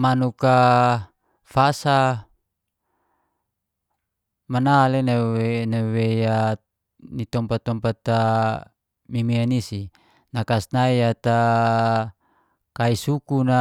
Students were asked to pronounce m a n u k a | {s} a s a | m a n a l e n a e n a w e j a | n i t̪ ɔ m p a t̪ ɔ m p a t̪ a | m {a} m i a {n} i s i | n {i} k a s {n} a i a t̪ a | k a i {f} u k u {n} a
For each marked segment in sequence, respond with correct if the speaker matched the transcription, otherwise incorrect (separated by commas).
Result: incorrect, incorrect, correct, incorrect, correct, incorrect, correct